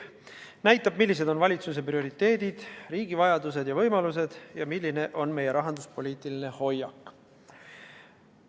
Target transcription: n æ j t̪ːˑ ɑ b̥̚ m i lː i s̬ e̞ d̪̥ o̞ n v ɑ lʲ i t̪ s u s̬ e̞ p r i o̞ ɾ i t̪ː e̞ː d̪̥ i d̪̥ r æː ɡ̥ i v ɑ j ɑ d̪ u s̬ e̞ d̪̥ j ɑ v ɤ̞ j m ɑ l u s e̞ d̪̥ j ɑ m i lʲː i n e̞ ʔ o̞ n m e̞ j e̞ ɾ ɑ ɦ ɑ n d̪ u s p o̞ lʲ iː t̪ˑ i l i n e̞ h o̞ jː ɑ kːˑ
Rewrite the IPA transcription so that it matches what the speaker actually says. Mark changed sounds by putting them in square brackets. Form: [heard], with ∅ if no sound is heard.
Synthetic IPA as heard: n æ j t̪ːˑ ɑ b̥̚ m i lː i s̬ e̞ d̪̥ o̞ n v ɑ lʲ i t̪ s u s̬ e̞ p r i o̞ ɾ i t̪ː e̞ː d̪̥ i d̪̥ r [iː] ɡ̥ i v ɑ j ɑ d̪ u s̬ e̞ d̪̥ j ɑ v ɤ̞ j m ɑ l u s e̞ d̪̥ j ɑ m i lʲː i n e̞ ʔ o̞ n m e̞ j e̞ ɾ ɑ ɦ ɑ n d̪ u s p o̞ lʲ iː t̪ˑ i l i n e̞ h o̞ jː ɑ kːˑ